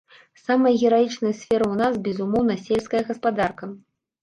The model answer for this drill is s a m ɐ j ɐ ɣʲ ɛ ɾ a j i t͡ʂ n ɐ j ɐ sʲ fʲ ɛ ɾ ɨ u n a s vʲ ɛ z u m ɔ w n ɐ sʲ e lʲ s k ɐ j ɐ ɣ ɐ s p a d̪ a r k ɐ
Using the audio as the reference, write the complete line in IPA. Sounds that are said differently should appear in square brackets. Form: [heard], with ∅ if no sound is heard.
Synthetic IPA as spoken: s a m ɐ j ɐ ɣʲ ɛ ɾ a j i t͡ʂ n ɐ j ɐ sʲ fʲ ɛ ɾ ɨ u n a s [bʲ] ɛ z u m ɔ w n ɐ sʲ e lʲ s k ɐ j ɐ ɣ ɐ s p a d̪ a r k ɐ